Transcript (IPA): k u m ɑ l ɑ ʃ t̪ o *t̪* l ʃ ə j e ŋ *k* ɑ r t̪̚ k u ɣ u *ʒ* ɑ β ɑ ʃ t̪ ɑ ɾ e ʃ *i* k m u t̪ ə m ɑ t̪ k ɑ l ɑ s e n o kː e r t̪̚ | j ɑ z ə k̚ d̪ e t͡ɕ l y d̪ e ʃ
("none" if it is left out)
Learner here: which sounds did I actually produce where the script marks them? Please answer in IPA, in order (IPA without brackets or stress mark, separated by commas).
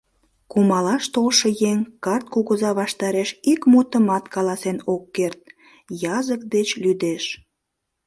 none, k, z, i